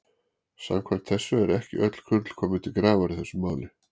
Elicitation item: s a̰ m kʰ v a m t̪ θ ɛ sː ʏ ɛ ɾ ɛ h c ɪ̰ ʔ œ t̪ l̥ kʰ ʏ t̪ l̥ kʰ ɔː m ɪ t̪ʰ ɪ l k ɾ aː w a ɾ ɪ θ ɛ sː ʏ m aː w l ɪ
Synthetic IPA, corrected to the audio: s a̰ m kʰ v a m t̪ θ ɛ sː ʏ ɛ ɾ ɛ h c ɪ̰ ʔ œ t̪ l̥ kʰ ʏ t̪ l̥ kʰ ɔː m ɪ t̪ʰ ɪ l k ɾ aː v a ɾ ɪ θ ɛ sː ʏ m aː w l ɪ